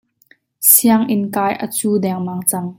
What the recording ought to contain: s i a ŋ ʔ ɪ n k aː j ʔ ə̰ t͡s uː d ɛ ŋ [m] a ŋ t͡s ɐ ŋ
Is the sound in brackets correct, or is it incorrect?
correct